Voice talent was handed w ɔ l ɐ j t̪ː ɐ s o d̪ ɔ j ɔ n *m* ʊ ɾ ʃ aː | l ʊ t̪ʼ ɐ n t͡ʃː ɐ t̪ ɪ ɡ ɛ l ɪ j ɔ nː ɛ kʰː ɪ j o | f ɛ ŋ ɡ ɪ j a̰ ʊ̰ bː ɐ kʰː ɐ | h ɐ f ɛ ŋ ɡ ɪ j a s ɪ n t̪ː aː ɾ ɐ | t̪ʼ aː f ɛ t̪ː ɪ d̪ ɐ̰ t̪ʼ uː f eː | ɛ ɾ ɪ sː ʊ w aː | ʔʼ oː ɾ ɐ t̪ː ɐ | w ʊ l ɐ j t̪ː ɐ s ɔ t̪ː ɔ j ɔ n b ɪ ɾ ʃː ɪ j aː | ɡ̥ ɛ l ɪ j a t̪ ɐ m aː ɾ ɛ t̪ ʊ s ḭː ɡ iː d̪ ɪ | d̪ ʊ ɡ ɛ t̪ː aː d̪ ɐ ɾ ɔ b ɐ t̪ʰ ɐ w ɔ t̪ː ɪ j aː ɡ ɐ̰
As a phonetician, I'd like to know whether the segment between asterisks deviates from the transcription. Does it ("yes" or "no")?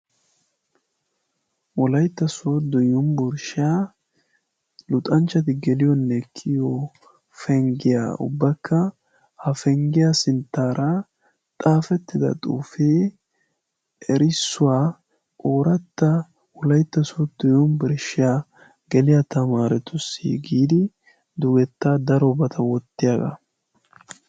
yes